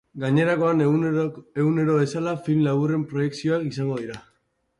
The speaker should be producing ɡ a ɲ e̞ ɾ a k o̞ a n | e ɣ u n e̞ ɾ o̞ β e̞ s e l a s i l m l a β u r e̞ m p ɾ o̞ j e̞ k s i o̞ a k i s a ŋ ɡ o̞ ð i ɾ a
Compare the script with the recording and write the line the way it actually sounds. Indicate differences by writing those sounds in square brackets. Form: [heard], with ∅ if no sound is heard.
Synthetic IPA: ɡ a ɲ e̞ ɾ a k o̞ a n | e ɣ u n e̞ ɾ o̞ β e̞ s [a] l a [f] i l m l a β u r e̞ m p ɾ o̞ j e̞ k s i o̞ a k i s a ŋ ɡ o̞ ð i ɾ a